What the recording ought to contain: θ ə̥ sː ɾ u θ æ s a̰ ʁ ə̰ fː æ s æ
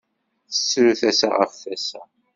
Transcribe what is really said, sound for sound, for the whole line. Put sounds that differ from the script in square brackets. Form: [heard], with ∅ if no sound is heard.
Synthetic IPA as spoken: θ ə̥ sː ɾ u θ æ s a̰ ʁ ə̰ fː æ s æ